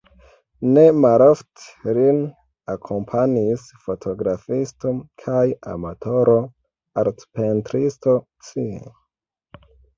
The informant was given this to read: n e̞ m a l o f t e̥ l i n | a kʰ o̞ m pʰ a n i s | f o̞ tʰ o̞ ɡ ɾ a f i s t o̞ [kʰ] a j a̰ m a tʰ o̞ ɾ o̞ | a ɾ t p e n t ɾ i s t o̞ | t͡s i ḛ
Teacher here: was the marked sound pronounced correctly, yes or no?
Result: yes